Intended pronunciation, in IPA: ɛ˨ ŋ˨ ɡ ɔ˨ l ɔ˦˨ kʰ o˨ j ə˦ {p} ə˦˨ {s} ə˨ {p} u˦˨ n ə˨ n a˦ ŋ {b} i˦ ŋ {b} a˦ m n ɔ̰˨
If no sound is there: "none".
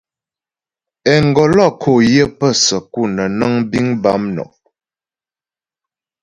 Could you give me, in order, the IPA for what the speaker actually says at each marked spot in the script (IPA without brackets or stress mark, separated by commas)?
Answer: p, s, k, b, b